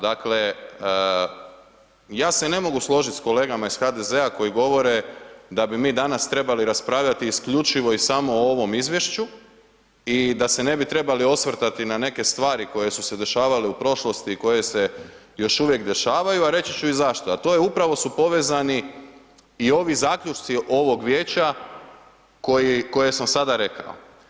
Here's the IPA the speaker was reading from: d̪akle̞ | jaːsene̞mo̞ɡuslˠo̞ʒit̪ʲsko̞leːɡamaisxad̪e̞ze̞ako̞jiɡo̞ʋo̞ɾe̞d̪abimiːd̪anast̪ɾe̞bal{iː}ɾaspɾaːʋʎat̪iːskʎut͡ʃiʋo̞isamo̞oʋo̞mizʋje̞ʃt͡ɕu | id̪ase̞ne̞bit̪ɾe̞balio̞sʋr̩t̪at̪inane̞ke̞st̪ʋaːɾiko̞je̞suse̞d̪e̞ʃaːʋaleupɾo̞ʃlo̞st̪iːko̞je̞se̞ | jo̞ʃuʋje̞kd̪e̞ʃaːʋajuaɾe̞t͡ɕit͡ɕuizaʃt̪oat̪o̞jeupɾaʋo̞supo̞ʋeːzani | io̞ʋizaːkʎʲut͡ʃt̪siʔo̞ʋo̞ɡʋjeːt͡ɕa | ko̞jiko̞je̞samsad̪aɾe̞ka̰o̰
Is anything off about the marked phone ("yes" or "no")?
yes